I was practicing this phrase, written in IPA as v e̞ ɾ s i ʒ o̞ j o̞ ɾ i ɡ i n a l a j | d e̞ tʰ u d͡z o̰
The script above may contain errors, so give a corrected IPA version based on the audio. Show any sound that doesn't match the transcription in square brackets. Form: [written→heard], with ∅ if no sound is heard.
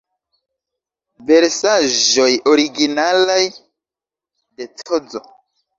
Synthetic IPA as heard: v e̞ ɾ s [i→a] ʒ o̞ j o̞ ɾ i ɡ i n a l a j | d e̞ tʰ [u→o] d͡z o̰